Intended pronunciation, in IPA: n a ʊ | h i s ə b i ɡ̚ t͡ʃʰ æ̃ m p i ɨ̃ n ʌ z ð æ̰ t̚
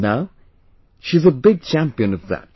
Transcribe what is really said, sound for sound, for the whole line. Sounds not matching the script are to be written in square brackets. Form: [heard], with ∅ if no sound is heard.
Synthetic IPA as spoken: n a ʊ | [ʃ] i [z] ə b [ɪ] ɡ̚ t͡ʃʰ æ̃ m p i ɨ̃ n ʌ [v] ð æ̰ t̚